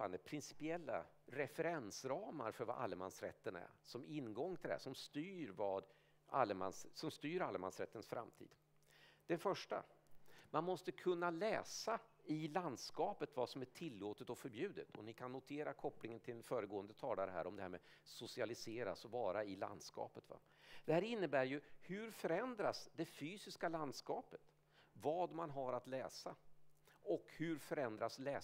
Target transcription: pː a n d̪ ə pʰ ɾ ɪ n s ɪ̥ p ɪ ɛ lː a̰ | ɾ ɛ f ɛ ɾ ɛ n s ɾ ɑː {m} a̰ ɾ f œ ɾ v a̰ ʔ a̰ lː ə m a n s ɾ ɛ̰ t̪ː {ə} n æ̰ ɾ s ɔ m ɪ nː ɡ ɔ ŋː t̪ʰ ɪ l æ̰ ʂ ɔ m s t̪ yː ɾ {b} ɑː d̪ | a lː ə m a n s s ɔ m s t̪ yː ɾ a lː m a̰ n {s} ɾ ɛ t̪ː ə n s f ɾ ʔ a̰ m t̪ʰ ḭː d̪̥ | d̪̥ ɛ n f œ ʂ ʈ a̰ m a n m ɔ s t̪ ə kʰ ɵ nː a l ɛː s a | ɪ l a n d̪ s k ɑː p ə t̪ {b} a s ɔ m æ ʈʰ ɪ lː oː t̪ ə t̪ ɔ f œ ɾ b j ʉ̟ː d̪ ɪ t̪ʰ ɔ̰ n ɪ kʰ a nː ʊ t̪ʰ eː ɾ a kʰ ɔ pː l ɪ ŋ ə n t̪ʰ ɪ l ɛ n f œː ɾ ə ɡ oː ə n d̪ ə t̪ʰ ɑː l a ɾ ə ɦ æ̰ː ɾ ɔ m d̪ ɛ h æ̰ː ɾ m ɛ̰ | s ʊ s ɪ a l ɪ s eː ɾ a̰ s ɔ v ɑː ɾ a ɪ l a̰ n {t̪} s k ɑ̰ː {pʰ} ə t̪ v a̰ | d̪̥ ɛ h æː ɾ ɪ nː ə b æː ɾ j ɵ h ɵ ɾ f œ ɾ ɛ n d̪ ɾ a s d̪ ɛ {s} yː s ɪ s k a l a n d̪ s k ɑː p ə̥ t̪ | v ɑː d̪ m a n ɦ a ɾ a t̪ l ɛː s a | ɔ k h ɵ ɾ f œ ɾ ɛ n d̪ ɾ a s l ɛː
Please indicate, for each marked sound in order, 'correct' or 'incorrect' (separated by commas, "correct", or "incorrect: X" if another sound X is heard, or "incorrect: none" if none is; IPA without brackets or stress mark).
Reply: correct, correct, incorrect: v, correct, incorrect: v, incorrect: d̪, incorrect: p, incorrect: f